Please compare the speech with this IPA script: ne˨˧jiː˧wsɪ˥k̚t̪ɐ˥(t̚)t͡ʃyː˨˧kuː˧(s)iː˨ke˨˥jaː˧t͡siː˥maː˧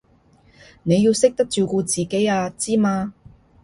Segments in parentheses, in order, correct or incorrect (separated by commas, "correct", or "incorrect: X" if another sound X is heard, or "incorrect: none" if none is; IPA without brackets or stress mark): incorrect: k̚, incorrect: t͡s